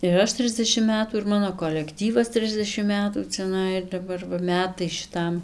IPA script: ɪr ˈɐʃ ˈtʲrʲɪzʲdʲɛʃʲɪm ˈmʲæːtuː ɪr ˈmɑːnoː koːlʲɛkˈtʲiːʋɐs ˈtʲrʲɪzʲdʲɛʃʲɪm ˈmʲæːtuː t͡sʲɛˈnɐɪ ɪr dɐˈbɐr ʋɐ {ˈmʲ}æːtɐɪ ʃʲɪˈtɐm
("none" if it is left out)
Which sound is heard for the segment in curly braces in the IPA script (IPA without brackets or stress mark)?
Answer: mʲ